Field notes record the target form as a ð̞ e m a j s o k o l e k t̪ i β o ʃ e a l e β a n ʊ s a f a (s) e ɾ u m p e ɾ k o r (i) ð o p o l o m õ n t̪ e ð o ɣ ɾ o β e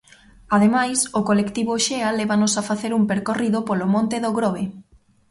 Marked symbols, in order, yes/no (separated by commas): no, yes